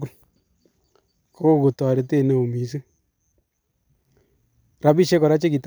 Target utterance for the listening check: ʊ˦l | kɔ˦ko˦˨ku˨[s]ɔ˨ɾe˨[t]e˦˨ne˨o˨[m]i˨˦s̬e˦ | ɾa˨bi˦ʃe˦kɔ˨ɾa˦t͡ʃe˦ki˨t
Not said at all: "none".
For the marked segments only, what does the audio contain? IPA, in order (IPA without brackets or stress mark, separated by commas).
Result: t, t, m